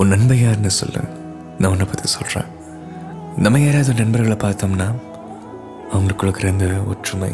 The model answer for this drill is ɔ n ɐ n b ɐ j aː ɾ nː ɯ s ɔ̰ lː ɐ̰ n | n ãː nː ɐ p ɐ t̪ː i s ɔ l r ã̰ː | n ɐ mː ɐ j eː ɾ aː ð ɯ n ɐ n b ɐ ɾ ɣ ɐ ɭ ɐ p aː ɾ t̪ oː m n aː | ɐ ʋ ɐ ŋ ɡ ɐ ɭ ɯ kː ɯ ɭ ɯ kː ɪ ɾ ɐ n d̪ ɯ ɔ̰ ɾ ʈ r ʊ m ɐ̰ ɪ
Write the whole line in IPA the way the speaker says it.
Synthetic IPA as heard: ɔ n ɐ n b ɐ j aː ɾ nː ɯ s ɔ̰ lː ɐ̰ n | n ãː nː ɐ p ɐ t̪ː i s ɔ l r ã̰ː | n ɐ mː ɐ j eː ɾ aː ð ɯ n ɐ n b ɐ ɾ ɣ ɐ ɭ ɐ p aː ɾ t̪ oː m n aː | ɐ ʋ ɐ ŋ ɡ ɐ ɭ ɯ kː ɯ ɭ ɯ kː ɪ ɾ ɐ n d̪ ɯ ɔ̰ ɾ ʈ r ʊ m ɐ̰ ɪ